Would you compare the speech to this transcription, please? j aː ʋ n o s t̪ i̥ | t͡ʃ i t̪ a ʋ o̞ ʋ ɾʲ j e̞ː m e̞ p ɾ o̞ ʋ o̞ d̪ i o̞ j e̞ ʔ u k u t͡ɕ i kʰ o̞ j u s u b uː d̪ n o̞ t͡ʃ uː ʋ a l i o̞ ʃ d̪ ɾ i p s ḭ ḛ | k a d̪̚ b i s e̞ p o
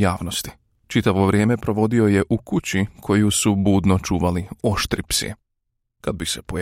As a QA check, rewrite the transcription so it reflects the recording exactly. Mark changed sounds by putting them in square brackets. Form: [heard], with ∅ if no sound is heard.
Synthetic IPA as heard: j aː ʋ n o s t̪ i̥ | t͡ʃ i t̪ a ʋ o̞ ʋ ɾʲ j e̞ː m e̞ p ɾ o̞ ʋ o̞ d̪ i o̞ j e̞ ʔ u k u t͡ɕ i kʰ o̞ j u s u b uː d̪ n o̞ t͡ʃ uː ʋ a l i o̞ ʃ [t̪] ɾ i p s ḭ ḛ | k a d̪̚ b i s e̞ p o